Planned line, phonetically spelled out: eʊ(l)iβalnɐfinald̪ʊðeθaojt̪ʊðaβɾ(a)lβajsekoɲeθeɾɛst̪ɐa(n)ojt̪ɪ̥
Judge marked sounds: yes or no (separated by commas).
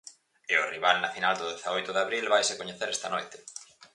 no, no, yes